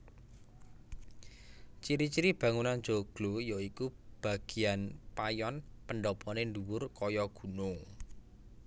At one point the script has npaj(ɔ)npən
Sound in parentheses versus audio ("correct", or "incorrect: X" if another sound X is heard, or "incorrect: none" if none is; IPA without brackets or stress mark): correct